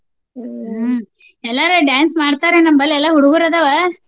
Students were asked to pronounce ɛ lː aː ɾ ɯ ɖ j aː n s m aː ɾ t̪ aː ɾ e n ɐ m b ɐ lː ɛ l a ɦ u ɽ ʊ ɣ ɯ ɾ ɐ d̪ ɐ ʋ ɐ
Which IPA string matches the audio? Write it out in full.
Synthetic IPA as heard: ɛ lː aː ɾ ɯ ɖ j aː n s m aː ɽ t̪ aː ɾ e n ɐ m b ɐ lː ɛ lː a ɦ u ɽ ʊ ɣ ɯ ɾ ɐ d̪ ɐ ʋ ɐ